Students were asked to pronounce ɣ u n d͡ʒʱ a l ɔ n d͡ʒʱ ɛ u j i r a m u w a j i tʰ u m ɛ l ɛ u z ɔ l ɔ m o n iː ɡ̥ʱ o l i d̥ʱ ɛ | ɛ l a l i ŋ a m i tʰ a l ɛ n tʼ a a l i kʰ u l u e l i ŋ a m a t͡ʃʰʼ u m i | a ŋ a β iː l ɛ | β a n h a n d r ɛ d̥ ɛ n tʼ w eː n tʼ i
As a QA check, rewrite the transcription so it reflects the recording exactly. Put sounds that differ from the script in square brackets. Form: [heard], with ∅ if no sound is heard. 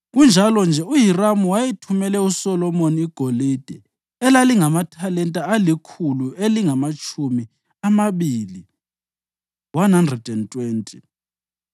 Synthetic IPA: ɣ u n d͡ʒʱ a l ɔ n d͡ʒʱ ɛ u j i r a m u w a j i tʰ u m ɛ l ɛ u [s] ɔ l ɔ m o n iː ɡ̥ʱ o l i d̥ʱ ɛ | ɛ l a l i ŋ a m [a] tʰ a l ɛ n tʼ a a l i kʰ u l u e l i ŋ a m a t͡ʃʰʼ u m i | a [m] a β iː l [i] | [w] a n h a n d r ɛ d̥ ɛ n tʼ w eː n tʼ i